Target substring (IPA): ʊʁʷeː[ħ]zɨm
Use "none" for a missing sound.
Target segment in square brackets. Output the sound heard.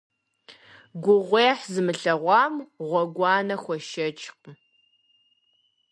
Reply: ħ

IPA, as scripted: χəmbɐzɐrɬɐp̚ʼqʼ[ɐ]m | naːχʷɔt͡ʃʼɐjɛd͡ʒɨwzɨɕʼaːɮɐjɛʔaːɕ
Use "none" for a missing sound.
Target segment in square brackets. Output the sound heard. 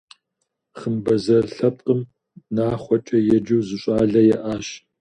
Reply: ə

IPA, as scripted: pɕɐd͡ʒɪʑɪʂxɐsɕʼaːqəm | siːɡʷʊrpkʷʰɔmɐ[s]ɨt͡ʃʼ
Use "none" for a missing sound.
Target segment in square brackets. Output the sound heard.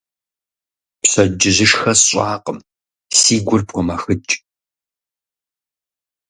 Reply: x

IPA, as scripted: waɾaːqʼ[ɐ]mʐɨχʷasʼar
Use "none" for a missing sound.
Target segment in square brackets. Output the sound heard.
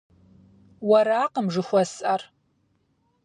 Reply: ə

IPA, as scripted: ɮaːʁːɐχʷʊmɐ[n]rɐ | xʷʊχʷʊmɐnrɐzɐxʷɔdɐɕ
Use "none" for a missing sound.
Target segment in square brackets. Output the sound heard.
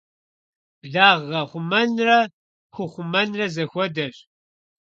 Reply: n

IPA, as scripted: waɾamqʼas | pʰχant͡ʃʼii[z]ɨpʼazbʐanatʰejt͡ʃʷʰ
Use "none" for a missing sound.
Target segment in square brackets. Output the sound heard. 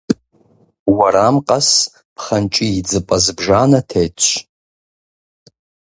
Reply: d͡z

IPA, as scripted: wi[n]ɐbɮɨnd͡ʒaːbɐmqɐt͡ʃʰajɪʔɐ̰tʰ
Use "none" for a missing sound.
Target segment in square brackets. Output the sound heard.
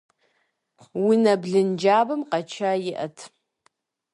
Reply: n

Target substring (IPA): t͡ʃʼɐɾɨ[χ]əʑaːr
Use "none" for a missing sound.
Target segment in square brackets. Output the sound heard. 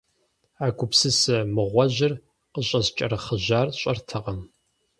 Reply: χ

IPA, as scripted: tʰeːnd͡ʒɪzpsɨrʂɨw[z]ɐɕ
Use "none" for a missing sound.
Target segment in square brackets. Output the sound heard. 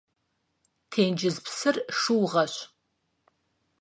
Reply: ʁ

